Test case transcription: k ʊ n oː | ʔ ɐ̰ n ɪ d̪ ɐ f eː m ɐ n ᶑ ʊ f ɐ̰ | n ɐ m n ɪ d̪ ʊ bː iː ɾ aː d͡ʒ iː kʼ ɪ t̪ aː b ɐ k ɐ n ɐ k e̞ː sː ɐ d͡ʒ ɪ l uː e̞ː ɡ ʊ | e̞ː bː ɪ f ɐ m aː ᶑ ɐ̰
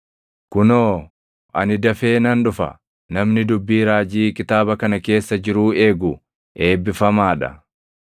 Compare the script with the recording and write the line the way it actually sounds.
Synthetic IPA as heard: k ʊ n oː | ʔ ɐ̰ n ɪ d̪ ɐ f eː n ɐ n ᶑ ʊ f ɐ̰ | n ɐ m n ɪ d̪ ʊ bː iː ɾ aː d͡ʒ iː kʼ ɪ t̪ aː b ɐ k ɐ n ɐ k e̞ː sː ɐ d͡ʒ ɪ ɾ uː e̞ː ɡ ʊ | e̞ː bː ɪ f ɐ m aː ᶑ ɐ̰